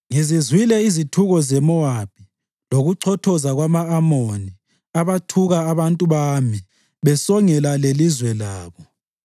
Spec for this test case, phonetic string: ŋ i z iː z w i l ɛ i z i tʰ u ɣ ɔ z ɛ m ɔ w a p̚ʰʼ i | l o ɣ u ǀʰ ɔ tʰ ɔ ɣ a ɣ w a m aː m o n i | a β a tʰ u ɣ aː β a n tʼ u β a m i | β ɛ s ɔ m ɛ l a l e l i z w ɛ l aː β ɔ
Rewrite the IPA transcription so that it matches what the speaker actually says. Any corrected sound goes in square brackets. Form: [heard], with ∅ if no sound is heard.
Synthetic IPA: ŋ i z [i] z w i l ɛ i z i tʰ u ɣ ɔ z ɛ m ɔ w a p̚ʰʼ i | l o ɣ u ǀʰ ɔ tʰ ɔ [z] a ɣ w a m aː m o n i | a β a tʰ u ɣ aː β a n tʼ u β a m i | β ɛ s ɔ [ŋ] ɛ l a l e l i z w ɛ l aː β ɔ